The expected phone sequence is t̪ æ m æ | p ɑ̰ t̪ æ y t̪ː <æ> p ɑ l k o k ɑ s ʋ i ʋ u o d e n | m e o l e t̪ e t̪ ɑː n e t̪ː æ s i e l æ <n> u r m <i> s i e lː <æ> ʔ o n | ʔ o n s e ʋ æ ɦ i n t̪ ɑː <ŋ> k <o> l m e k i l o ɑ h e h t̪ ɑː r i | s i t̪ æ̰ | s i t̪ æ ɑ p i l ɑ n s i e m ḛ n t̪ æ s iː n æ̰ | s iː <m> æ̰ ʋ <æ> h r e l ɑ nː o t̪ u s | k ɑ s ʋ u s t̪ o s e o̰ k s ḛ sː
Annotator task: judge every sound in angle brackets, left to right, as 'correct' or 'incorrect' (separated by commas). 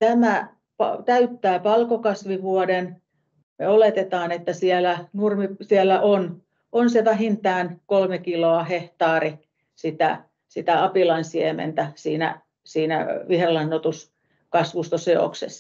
incorrect, correct, correct, correct, incorrect, correct, incorrect, incorrect